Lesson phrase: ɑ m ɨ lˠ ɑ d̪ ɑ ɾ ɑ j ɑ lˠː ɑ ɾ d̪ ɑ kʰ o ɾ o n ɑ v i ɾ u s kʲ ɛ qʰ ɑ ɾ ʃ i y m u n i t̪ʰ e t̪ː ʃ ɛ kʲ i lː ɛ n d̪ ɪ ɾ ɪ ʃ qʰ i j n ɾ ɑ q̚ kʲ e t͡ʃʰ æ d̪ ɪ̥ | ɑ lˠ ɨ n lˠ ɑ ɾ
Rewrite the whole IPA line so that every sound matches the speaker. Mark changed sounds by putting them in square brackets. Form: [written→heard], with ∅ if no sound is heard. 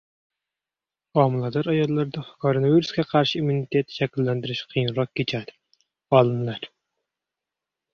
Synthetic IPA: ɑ m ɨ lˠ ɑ d̪ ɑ ɾ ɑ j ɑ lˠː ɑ ɾ d̪ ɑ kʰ o ɾ o n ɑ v i ɾ u s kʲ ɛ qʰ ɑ ɾ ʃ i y m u n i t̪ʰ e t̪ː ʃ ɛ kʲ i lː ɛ n d̪ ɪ ɾ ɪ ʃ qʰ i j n ɾ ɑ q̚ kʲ e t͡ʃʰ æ d̪ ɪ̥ | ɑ lˠ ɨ n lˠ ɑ ɾ